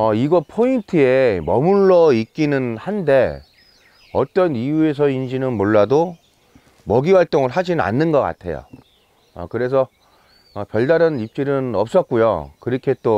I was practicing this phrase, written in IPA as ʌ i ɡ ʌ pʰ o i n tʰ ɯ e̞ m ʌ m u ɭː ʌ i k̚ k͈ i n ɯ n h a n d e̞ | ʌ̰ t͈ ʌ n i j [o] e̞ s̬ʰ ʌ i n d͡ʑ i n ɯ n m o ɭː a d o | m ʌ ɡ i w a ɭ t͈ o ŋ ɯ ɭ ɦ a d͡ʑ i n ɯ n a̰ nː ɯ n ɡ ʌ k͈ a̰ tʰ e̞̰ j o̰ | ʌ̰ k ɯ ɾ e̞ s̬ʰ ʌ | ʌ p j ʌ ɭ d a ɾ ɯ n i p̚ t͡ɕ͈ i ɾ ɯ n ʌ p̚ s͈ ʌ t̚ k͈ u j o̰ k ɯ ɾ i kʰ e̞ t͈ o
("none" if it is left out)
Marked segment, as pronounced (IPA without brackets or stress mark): u